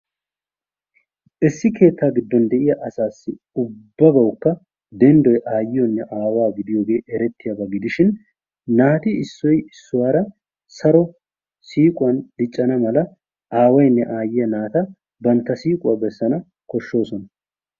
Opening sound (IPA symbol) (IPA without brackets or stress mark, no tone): ʔ